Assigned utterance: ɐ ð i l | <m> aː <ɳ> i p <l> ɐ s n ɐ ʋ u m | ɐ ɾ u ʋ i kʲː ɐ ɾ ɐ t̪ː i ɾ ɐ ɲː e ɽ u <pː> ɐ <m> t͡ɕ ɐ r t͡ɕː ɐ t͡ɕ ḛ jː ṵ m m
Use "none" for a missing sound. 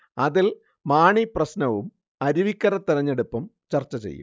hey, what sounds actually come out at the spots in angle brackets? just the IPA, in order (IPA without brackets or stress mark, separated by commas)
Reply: m, ɳ, r, pː, m